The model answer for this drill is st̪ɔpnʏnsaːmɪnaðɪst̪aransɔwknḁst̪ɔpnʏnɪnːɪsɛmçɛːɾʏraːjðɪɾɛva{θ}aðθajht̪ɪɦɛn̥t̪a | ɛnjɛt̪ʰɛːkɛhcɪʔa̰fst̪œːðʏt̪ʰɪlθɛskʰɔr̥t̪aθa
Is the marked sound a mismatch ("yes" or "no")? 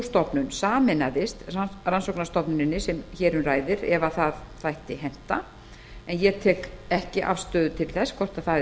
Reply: no